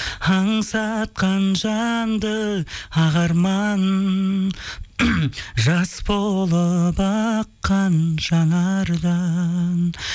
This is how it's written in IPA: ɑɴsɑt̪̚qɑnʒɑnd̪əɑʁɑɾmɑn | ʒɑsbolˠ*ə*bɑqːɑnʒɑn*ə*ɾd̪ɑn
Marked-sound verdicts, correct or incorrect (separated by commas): correct, incorrect